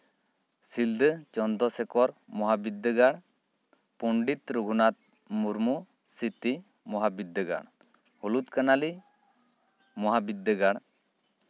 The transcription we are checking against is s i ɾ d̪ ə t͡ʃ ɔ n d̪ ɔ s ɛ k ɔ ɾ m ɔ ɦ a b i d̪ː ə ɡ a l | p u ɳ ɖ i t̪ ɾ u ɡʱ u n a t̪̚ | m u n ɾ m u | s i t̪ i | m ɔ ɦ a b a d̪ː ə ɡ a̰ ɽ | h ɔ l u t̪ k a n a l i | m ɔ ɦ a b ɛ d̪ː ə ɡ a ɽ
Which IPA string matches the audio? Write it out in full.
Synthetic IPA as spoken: s i l d̪ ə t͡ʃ ɔ n d̪ ɔ s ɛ k ɔ ɾ m ɔ ɦ a b i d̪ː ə ɡ a ɽ | p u ɳ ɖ i t̪ ɾ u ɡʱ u n a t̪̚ | m u ɾ m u | s i t̪ i | m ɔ ɦ a b i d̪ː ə ɡ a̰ ɽ | h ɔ l u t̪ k a n a l i | m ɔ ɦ a b i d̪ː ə ɡ a ɽ